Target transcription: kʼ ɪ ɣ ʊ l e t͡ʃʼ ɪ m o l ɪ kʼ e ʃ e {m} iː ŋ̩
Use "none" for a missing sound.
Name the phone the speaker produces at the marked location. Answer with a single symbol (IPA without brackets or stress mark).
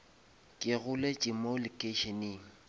n